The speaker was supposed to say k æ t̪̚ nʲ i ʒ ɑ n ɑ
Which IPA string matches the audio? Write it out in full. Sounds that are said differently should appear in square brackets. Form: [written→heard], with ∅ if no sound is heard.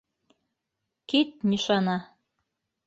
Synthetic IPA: k [æ→i] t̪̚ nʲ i [ʒ→ʃ] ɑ n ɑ